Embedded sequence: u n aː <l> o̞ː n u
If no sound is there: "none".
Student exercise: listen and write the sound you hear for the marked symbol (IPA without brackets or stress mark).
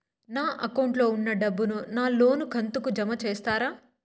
l